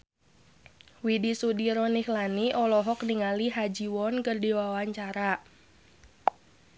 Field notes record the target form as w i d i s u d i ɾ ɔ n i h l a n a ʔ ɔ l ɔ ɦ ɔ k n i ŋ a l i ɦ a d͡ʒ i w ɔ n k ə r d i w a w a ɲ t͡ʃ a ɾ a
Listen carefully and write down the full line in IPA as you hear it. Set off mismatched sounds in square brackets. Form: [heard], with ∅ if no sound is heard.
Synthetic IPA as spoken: w i d i s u d i ɾ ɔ n i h l a n [i] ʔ ɔ l ɔ ɦ ɔ k n i ŋ a l i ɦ a d͡ʒ i w ɔ n k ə r d i w a w a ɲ t͡ʃ a ɾ a